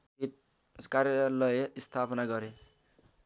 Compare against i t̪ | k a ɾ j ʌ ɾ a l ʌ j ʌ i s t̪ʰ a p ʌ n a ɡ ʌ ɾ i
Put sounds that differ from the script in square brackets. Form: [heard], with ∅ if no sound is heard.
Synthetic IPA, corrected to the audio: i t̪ | k a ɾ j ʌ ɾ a l ʌ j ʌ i s t̪ʰ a p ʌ n a ɡ ʌ ɾ [e]